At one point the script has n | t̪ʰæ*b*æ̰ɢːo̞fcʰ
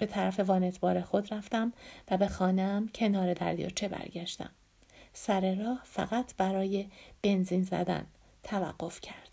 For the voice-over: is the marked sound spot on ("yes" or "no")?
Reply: no